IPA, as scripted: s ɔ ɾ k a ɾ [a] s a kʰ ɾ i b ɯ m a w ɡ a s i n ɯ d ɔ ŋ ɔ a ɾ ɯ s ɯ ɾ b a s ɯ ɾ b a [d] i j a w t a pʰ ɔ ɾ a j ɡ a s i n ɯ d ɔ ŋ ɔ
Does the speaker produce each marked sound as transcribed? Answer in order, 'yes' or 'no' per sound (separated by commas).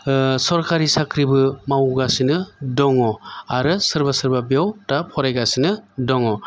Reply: no, no